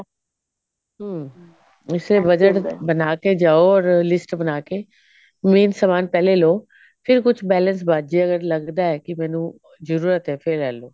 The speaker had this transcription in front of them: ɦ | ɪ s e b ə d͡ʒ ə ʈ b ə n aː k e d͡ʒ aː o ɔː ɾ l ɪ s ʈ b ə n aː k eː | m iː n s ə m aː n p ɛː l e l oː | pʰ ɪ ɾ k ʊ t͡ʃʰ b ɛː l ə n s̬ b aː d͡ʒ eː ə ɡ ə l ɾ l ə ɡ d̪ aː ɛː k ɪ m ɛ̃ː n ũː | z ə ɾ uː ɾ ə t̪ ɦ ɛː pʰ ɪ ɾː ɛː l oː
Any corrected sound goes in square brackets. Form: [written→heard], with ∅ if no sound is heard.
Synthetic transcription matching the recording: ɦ | ɪ s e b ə d͡ʒ ə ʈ b ə n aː k e d͡ʒ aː o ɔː ɾ l ɪ s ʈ b ə n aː k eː | m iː n s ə m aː n p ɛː l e l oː | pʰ ɪ ɾ k ʊ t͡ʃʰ b ɛː l ə n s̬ b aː d͡ʒ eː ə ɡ ə [l→∅] ɾ l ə ɡ d̪ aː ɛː k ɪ m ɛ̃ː n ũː | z ə ɾ uː ɾ ə t̪ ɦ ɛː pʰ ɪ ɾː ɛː l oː